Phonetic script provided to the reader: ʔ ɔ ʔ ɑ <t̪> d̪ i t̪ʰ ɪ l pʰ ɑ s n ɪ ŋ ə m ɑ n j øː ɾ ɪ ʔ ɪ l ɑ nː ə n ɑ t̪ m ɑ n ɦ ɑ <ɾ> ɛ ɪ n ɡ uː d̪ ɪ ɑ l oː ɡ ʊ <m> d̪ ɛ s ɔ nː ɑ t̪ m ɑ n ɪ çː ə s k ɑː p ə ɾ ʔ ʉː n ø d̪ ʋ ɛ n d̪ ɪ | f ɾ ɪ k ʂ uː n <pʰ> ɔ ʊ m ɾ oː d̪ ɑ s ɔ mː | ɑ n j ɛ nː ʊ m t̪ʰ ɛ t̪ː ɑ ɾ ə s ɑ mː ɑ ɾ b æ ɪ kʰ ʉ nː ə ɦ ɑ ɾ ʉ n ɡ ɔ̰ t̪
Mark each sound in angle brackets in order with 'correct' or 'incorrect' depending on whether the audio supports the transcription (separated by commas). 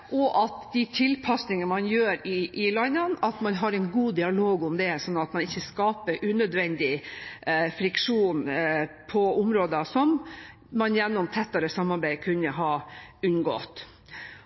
correct, correct, correct, correct